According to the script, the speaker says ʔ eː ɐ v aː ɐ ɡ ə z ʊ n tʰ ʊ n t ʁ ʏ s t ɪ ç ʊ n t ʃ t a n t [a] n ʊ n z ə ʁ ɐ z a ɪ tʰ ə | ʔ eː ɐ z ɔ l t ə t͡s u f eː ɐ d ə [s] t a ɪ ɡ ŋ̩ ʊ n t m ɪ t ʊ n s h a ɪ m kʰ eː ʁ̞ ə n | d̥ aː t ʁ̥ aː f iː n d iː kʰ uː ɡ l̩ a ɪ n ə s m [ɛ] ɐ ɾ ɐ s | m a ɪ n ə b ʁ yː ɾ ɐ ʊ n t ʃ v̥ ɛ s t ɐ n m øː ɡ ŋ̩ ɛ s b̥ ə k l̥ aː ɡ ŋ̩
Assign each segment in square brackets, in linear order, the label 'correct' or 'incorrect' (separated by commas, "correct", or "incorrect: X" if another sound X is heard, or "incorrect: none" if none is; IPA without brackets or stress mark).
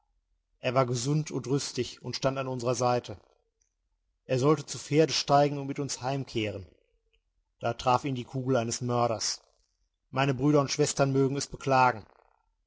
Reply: correct, incorrect: ʃ, incorrect: œ